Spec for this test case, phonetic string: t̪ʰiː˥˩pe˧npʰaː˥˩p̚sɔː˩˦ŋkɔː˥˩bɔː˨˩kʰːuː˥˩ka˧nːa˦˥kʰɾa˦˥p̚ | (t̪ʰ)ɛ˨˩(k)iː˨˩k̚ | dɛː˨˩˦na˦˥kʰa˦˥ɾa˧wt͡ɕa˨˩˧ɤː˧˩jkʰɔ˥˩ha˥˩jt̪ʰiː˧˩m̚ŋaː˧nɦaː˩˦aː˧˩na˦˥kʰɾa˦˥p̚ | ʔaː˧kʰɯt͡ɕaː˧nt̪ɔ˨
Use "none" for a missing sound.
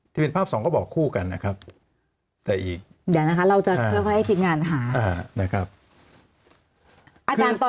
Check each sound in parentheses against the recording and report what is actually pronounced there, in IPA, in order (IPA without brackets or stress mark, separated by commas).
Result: t̪, ʔ